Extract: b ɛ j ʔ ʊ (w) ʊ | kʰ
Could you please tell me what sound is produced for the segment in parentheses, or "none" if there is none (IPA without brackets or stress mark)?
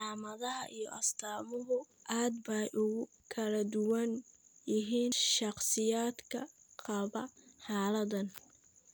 ɣ